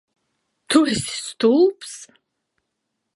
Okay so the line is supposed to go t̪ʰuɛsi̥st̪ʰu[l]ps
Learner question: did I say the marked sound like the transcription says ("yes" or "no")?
yes